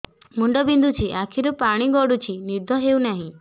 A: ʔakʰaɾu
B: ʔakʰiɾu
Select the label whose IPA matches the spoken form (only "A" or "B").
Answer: B